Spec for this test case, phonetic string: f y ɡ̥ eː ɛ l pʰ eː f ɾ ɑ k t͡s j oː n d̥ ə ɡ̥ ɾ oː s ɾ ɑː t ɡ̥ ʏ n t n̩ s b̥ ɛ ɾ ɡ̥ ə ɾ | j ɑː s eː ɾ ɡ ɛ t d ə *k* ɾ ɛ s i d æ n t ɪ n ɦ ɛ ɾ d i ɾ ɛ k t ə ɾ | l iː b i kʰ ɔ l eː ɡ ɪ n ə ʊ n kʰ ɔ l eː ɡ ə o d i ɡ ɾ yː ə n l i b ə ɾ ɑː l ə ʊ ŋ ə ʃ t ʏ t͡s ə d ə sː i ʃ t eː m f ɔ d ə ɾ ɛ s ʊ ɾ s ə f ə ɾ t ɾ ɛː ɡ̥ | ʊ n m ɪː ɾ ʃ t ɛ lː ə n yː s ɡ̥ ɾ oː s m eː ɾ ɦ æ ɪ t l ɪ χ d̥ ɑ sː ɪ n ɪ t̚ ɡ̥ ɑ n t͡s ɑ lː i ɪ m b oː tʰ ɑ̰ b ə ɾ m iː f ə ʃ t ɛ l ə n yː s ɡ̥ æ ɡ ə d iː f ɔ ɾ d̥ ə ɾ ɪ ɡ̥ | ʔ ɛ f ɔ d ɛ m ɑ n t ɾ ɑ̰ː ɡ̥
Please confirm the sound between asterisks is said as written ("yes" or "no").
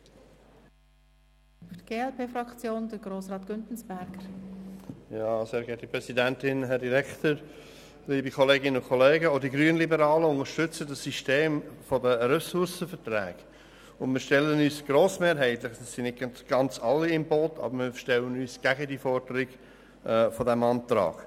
no